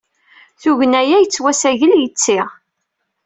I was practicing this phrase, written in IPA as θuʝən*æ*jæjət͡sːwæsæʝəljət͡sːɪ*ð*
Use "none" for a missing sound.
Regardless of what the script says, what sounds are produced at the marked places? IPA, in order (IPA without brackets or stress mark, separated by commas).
æ, ʁ